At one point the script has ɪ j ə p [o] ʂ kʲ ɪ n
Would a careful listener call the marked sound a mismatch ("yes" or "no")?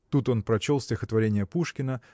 yes